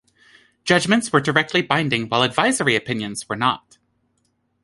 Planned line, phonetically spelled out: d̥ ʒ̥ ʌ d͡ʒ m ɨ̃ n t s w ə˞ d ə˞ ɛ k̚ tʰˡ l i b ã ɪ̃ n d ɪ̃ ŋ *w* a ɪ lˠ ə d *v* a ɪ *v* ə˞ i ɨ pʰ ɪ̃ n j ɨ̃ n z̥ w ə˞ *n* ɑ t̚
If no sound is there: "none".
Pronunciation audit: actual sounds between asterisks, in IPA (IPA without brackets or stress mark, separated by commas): w, v, z, n